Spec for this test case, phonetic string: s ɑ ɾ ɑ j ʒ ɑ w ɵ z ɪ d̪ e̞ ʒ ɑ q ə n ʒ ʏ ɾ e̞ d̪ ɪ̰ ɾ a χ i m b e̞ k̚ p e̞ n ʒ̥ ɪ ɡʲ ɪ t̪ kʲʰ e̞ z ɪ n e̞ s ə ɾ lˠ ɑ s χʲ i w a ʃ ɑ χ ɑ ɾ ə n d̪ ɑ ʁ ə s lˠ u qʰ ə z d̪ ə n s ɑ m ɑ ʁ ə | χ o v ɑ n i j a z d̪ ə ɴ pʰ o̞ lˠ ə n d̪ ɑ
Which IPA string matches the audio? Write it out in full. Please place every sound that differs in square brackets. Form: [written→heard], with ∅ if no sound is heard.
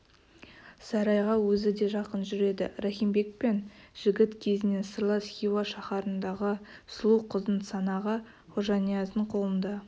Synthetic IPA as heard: s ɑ ɾ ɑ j [ʒ→ʁ] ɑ w ɵ z ɪ d̪ e̞ ʒ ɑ q ə n ʒ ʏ ɾ e̞ d̪ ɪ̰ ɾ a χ i m b e̞ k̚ p e̞ n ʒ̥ ɪ ɡʲ ɪ t̪ kʲʰ e̞ z ɪ n e̞ s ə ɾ lˠ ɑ s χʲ i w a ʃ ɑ χ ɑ ɾ ə n d̪ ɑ ʁ ə s lˠ u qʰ ə z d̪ ə n s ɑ [m→n] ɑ ʁ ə | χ o [v→ʒ] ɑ n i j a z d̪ ə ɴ [pʰ→qʰ] o̞ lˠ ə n d̪ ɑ